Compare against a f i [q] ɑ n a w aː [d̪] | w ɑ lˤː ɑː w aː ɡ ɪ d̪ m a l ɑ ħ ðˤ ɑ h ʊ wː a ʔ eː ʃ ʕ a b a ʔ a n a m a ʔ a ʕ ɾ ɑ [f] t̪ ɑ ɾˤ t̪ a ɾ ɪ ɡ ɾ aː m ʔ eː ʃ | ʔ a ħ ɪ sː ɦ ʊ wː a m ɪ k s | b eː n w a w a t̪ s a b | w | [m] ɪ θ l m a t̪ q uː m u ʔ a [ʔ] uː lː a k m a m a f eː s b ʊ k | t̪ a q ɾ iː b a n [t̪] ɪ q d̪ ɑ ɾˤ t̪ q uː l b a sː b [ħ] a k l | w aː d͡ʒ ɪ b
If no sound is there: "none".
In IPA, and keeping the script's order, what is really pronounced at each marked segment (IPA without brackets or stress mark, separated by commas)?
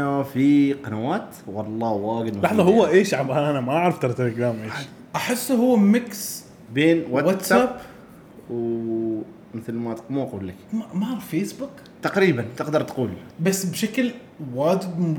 q, t̪, f, m, q, t̪, ʃ